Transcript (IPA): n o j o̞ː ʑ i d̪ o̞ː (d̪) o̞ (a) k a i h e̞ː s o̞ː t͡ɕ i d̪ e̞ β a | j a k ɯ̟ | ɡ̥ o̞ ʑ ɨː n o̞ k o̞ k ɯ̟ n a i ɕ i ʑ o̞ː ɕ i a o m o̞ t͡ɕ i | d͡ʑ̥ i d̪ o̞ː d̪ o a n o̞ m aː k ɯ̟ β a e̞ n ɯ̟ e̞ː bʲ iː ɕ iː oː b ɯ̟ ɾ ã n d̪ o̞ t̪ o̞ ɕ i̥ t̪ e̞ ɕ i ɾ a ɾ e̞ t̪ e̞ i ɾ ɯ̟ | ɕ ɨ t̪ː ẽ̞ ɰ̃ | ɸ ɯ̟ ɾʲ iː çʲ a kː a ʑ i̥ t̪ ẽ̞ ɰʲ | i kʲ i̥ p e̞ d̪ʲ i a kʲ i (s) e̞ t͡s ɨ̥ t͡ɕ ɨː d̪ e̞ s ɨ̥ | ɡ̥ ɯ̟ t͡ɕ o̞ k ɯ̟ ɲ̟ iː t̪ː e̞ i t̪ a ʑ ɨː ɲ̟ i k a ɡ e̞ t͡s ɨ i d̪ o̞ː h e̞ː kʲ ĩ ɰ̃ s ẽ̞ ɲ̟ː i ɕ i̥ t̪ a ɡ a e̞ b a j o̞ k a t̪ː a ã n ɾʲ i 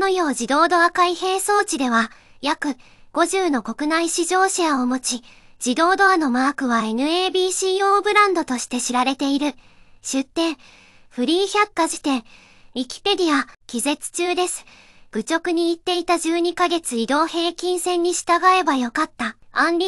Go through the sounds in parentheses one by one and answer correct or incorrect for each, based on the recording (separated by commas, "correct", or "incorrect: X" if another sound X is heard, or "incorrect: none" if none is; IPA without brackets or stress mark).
correct, correct, incorrect: z